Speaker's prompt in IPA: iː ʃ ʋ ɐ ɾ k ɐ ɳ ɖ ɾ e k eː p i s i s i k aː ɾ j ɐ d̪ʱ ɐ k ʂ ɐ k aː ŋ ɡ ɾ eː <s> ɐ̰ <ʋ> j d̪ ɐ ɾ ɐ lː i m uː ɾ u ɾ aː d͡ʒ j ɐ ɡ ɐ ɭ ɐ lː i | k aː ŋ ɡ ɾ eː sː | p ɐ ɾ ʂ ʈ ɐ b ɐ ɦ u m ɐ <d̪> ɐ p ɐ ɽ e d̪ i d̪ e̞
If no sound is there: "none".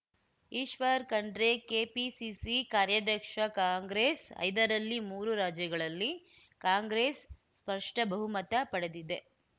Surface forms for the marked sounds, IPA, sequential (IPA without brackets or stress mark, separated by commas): s, none, t̪